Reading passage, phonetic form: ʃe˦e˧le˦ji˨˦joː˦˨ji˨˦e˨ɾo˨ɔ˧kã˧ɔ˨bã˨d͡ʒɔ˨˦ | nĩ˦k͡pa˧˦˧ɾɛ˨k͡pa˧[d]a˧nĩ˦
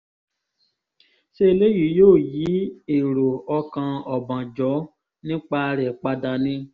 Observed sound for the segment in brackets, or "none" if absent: d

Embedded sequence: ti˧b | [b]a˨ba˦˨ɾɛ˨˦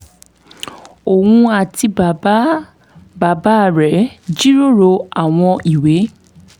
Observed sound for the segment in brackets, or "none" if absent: b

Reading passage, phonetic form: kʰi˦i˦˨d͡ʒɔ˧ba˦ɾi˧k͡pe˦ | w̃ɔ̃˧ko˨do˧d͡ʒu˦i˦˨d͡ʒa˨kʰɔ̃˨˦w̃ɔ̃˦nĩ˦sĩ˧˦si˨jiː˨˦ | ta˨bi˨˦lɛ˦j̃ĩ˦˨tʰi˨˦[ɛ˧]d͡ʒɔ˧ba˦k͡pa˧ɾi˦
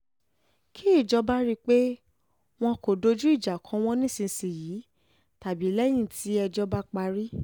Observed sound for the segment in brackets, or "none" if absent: ɛ˧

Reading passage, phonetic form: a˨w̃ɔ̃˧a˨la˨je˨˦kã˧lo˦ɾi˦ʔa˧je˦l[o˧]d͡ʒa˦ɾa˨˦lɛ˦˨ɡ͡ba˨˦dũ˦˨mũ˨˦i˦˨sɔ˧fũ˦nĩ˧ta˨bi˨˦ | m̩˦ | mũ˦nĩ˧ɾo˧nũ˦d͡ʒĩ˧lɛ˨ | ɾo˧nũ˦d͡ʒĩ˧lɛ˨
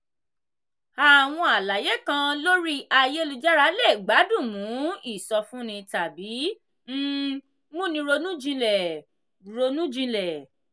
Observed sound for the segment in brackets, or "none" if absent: u˧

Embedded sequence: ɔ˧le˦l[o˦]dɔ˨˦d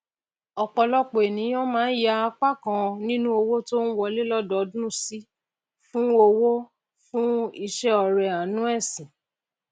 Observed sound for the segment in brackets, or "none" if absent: ɔ˦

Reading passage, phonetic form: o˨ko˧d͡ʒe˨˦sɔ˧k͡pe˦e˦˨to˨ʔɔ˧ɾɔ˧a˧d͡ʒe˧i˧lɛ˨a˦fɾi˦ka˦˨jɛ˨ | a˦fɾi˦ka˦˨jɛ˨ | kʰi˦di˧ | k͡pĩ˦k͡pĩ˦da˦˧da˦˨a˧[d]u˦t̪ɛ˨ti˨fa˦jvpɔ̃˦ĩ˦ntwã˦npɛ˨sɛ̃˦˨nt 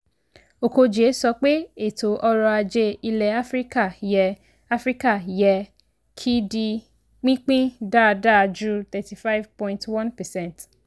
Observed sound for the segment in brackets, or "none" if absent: d͡ʒ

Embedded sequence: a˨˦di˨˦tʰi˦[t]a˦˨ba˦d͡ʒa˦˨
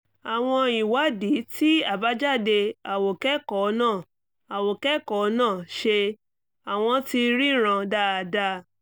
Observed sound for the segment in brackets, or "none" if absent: none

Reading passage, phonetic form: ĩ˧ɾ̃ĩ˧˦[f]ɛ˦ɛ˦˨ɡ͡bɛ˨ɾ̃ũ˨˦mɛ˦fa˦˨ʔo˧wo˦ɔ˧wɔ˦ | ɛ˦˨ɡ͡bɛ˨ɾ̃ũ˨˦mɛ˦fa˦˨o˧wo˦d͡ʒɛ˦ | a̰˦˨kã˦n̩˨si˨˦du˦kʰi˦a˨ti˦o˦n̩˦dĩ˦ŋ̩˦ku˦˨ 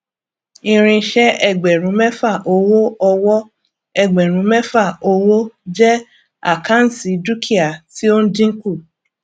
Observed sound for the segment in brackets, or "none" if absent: ʃ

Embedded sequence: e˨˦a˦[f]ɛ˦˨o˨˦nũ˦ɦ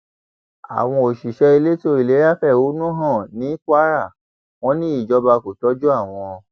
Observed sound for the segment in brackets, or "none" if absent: f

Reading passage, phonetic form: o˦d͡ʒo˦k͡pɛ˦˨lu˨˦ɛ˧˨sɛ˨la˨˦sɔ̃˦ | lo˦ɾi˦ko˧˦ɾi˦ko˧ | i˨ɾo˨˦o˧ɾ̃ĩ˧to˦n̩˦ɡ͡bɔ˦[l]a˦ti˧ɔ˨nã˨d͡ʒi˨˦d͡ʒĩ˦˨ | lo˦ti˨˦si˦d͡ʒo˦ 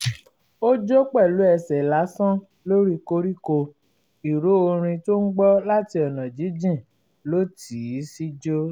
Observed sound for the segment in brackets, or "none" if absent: l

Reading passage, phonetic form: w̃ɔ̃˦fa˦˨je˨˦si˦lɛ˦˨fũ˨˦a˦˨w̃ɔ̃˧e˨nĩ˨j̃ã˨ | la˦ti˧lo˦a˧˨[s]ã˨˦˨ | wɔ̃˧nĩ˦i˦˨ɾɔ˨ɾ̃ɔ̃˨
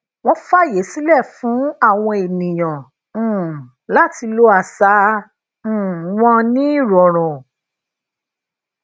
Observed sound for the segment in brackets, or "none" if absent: s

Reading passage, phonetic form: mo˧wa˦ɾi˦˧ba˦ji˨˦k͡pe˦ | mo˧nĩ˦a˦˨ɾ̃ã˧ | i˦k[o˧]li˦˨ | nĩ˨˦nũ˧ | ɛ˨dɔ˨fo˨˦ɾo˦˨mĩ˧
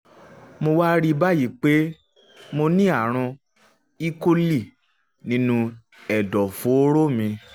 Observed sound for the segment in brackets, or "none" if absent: o˧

